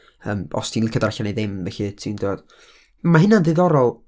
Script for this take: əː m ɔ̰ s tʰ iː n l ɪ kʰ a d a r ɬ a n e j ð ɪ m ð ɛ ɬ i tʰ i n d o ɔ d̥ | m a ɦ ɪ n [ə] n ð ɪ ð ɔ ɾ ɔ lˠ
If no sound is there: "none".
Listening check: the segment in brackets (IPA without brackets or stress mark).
a